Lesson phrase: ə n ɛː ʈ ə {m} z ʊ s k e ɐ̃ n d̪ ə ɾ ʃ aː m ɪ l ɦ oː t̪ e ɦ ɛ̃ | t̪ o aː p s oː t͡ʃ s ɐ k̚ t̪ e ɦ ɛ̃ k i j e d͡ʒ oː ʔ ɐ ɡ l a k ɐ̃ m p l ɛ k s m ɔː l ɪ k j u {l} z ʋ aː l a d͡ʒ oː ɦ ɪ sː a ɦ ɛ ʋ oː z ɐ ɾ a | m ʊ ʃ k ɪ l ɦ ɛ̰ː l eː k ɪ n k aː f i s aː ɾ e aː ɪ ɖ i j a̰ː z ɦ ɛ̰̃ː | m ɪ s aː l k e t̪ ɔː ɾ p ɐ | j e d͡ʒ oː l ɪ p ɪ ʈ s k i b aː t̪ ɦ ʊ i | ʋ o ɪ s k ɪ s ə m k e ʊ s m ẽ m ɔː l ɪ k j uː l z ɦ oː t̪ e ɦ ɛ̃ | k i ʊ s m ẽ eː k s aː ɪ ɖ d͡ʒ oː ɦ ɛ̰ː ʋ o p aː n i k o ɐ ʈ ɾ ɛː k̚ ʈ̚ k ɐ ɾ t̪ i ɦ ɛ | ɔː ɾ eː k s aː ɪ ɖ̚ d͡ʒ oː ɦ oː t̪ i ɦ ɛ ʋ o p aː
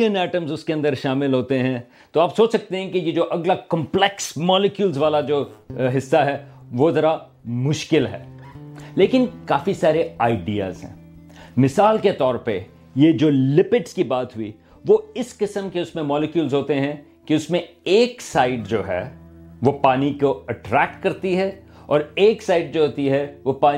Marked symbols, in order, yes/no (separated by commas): yes, yes